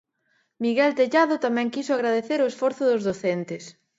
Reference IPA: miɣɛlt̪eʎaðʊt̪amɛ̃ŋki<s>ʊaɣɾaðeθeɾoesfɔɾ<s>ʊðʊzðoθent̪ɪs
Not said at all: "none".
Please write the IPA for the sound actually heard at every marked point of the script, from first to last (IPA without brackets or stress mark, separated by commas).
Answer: s, θ